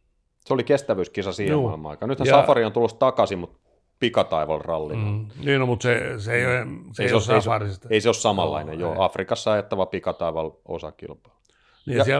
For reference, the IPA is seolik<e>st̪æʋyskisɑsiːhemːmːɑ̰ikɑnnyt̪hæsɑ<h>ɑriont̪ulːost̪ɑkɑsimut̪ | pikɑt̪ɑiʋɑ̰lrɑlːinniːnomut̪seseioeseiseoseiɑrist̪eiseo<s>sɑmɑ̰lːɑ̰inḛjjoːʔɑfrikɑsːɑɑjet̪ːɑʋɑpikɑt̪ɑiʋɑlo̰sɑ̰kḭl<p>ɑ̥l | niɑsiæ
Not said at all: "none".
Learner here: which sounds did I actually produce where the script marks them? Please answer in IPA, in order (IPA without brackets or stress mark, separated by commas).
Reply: e, f, s, p